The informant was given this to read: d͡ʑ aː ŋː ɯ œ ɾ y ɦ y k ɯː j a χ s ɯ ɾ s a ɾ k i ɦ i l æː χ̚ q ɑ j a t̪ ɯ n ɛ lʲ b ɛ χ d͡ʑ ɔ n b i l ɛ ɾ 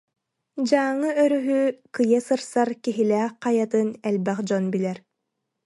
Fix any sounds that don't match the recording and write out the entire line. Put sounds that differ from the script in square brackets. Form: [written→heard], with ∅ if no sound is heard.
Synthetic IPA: d͡ʑ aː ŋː ɯ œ ɾ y ɦ y k [ɯː→ɯ] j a [χ→∅] s ɯ ɾ s a ɾ k i ɦ i l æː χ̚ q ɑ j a t̪ ɯ n ɛ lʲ b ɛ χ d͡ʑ ɔ n b i l ɛ ɾ